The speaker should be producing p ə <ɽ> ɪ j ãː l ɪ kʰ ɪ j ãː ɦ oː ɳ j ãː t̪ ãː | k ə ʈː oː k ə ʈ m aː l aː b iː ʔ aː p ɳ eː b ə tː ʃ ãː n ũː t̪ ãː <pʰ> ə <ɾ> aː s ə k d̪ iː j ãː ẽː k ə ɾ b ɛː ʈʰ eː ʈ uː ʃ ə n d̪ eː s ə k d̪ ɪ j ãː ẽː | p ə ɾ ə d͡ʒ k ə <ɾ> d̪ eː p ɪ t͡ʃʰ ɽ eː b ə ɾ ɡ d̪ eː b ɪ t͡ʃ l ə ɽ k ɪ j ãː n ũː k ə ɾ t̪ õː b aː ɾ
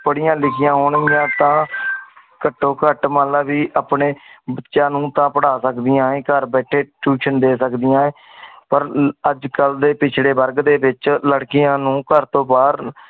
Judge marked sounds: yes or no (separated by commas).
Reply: yes, no, no, no